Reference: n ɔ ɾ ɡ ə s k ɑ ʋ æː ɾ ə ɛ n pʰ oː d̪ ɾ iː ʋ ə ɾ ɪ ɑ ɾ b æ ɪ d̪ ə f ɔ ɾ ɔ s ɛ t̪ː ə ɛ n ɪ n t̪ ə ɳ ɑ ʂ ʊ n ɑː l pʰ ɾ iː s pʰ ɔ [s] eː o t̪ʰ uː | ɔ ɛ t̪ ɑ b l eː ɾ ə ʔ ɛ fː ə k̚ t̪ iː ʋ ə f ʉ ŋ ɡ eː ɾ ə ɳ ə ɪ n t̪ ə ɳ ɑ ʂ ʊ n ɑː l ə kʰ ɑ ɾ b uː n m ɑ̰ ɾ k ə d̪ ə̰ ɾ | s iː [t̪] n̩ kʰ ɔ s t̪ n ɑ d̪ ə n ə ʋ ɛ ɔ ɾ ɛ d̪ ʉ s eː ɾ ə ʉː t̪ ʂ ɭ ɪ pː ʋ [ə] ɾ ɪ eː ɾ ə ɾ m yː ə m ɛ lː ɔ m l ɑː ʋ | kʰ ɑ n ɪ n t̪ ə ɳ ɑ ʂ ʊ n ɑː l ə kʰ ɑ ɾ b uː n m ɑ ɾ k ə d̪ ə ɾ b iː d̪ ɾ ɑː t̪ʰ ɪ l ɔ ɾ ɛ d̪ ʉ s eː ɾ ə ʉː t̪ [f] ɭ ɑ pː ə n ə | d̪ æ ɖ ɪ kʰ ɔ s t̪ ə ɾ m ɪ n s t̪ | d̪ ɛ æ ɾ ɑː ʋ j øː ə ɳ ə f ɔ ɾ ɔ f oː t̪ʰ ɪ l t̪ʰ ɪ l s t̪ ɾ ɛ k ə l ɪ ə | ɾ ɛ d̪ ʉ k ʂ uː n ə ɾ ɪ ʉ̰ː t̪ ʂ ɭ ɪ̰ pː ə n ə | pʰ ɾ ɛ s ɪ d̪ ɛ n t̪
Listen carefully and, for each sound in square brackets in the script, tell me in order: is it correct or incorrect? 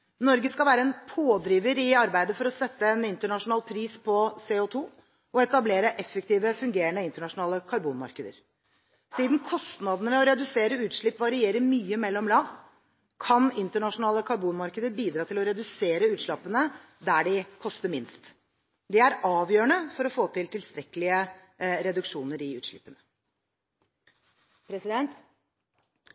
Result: correct, incorrect, incorrect, incorrect

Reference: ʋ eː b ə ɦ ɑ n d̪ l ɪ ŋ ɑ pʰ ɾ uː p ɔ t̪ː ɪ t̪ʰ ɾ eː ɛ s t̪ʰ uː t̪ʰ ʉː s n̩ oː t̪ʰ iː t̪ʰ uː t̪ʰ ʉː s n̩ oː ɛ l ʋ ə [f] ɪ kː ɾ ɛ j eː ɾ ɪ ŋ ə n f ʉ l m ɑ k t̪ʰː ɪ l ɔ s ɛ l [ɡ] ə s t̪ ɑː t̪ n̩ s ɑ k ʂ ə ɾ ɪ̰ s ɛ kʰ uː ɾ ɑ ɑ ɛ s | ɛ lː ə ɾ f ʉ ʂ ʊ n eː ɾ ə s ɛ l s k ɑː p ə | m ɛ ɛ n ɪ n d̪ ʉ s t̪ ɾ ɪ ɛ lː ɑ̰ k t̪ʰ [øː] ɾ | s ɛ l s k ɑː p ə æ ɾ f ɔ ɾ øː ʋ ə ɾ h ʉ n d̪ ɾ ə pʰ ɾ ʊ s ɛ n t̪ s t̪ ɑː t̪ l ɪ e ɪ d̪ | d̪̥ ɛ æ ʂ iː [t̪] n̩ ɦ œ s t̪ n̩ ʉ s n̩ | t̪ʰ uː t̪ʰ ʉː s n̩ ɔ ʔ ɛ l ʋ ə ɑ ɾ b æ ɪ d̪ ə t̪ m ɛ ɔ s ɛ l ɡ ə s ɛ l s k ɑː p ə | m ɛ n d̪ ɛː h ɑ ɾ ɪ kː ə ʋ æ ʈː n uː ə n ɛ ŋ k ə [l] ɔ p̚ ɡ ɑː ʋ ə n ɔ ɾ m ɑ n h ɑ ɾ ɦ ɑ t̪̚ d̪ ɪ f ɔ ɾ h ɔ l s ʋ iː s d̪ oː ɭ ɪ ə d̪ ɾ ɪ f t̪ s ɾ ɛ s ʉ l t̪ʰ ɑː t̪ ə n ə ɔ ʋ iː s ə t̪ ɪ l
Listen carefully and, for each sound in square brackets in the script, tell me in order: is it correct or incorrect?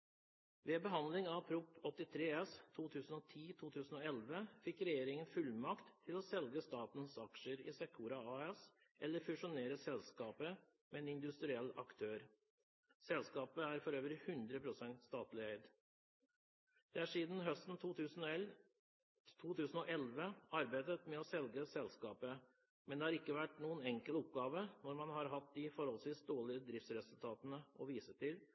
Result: correct, correct, correct, incorrect, correct

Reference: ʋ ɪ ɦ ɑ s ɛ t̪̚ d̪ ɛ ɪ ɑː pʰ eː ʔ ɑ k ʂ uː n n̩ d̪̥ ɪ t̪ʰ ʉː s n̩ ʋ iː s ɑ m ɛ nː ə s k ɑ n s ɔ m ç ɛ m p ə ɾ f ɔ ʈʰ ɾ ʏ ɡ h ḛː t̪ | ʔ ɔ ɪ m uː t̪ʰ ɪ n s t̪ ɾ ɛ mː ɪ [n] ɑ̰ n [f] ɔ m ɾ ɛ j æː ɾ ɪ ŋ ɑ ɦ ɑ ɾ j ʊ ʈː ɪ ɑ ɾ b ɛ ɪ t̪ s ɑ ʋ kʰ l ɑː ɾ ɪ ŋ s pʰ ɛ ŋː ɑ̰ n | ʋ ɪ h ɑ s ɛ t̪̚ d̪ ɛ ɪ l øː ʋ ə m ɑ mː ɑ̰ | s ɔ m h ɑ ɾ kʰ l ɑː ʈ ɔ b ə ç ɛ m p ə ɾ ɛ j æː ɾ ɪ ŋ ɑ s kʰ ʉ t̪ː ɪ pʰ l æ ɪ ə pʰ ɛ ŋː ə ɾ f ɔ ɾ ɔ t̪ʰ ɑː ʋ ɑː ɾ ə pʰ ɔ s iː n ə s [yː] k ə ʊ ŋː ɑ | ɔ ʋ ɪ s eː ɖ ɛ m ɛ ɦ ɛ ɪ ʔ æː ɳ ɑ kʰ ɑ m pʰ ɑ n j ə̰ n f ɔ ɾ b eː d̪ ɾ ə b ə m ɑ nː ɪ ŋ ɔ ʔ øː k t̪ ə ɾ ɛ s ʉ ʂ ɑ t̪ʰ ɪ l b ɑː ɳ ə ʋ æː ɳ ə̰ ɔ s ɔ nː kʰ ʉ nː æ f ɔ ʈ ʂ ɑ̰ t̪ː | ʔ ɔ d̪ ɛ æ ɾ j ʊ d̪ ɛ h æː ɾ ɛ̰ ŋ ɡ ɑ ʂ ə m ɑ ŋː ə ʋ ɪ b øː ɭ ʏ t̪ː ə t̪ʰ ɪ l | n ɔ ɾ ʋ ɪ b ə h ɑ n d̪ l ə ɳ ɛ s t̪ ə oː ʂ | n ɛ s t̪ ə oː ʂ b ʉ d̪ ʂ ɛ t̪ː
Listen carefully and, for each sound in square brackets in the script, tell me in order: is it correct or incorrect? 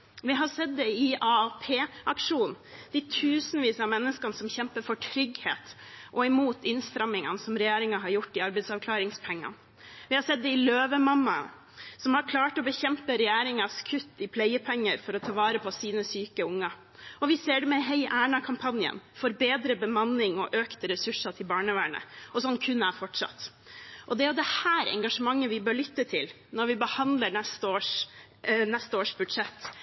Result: incorrect, incorrect, correct

